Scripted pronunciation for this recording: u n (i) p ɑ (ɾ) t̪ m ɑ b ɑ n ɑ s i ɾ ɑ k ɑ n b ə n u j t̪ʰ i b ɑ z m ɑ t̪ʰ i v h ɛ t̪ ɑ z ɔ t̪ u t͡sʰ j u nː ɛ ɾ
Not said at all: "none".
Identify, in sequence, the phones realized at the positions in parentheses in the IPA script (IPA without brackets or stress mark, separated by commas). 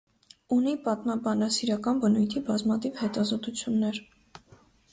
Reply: i, none